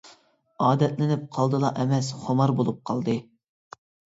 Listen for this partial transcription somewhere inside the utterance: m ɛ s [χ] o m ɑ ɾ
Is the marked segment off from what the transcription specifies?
no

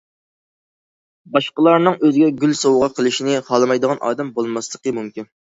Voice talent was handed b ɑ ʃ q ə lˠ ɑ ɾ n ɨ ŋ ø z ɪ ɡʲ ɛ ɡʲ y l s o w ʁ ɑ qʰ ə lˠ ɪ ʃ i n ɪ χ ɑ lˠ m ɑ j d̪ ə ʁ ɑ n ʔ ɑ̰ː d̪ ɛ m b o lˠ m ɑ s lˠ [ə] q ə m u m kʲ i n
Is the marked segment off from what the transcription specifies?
no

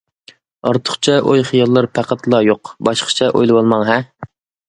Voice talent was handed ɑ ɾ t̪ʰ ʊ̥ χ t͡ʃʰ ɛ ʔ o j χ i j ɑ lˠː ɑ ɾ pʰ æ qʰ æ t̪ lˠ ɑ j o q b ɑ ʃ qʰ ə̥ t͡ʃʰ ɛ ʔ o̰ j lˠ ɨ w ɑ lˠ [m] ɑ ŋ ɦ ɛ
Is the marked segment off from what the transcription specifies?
no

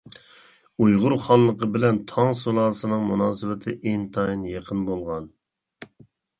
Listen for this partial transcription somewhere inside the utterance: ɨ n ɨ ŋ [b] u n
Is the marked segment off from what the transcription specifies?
yes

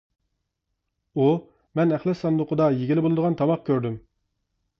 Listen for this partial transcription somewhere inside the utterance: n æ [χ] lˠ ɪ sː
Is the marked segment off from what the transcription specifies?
no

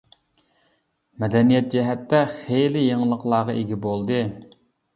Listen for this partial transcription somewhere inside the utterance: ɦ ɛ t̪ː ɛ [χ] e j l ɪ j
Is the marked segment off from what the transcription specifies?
no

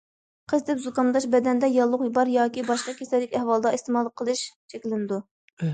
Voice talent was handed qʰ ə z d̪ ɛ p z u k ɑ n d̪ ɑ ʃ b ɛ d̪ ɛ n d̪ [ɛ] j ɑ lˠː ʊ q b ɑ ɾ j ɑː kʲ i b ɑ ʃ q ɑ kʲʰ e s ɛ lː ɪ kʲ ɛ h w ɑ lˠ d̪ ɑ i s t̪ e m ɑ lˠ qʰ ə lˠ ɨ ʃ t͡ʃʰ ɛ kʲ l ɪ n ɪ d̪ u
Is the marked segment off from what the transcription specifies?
no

